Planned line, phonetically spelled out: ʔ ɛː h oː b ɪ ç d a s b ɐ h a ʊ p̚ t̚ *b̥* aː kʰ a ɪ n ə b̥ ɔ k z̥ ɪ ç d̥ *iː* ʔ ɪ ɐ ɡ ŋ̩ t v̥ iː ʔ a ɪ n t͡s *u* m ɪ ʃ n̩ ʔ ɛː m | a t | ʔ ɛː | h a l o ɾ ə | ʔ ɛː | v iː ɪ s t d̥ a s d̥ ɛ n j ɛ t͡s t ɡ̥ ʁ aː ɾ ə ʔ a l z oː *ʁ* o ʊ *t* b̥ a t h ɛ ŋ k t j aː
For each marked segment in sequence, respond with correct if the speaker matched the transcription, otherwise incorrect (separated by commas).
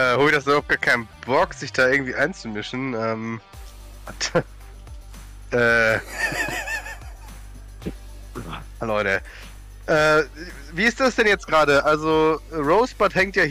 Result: incorrect, incorrect, correct, correct, incorrect